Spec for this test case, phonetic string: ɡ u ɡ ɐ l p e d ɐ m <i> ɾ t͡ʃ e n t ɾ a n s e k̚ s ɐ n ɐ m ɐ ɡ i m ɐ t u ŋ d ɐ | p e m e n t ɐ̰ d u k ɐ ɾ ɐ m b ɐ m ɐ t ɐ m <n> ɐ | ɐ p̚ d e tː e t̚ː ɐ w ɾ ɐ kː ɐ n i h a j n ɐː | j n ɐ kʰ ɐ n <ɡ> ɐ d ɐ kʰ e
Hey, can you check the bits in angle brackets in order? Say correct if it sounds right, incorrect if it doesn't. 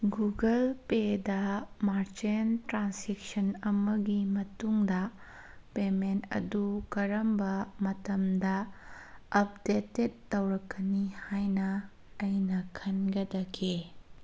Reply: incorrect: a, incorrect: d, correct

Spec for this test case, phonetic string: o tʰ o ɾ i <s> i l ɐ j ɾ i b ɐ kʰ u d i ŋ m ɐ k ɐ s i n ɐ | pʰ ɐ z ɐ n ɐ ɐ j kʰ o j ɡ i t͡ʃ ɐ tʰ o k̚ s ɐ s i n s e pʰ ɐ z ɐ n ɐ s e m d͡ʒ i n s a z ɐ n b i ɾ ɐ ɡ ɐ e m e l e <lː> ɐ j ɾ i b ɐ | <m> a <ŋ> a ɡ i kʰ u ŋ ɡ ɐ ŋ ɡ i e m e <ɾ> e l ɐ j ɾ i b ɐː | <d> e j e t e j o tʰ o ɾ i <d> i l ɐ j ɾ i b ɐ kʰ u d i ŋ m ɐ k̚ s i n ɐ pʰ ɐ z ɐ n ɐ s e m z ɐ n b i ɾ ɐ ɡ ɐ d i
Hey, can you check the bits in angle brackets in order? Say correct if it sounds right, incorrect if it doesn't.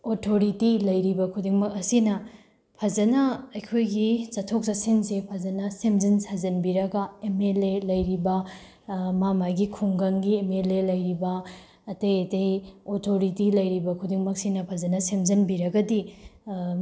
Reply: incorrect: t, incorrect: l, correct, incorrect: m, incorrect: l, incorrect: t, incorrect: t

